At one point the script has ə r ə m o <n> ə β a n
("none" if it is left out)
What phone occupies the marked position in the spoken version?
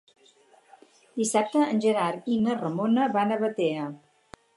n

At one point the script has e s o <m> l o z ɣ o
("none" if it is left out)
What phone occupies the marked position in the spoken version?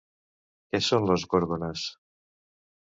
n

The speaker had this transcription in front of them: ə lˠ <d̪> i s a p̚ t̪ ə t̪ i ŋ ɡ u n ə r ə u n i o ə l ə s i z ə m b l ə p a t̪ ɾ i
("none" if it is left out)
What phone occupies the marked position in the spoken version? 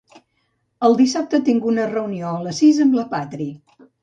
d̪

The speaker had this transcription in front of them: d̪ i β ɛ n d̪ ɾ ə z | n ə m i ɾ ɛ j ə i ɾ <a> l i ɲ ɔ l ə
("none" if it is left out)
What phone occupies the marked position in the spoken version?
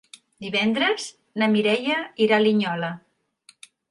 a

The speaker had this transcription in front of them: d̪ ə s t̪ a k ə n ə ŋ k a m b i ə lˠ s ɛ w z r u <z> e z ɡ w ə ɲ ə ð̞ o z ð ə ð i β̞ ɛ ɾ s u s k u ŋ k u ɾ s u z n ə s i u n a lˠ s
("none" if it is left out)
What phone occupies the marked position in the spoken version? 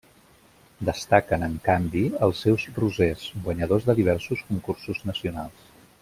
z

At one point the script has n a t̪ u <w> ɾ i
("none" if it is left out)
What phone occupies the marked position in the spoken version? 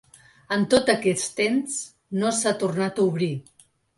β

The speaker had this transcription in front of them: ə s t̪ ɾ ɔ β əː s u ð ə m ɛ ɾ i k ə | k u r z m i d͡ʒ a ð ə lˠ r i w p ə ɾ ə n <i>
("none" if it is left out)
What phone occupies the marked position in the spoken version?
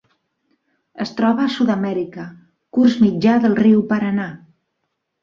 a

